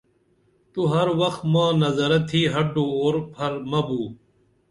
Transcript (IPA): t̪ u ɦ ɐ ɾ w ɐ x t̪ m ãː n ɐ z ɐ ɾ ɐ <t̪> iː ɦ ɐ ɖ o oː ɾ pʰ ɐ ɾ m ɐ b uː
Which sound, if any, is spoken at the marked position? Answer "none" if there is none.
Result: t̪ʰ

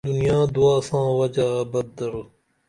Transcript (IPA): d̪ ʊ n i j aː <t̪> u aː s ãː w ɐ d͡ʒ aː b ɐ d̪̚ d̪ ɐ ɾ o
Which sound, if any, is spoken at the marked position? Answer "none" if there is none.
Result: d̪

